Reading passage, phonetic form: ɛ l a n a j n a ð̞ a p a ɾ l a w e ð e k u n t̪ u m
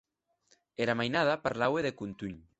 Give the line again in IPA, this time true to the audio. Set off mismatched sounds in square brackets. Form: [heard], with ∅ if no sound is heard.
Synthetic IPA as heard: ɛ [ɾ] a [m] a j n a ð̞ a p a ɾ l a w e ð e k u n t̪ u [ɲ]